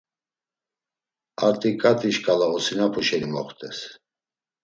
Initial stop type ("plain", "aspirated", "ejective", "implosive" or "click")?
ejective